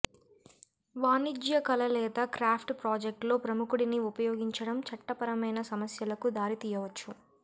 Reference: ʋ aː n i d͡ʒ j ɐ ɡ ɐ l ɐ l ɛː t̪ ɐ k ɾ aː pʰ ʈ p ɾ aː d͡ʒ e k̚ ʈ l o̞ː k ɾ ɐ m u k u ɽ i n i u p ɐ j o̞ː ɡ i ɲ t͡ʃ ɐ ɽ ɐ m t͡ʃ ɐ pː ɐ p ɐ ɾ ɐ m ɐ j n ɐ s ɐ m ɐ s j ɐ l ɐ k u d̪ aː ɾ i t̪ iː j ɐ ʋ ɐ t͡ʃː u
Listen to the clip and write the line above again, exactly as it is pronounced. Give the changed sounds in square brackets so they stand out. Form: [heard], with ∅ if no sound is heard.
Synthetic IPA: ʋ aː n i d͡ʒ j ɐ [k] ɐ l ɐ l ɛː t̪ ɐ k ɾ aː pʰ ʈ p ɾ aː d͡ʒ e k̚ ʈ l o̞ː [p] ɾ ɐ m u k u ɽ i n i u p ɐ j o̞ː ɡ i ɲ t͡ʃ ɐ ɽ ɐ m t͡ʃ ɐ [ʈː] ɐ p ɐ ɾ ɐ m ɐ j n ɐ s ɐ m ɐ s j ɐ l ɐ k u d̪ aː ɾ i t̪ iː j ɐ ʋ ɐ t͡ʃː u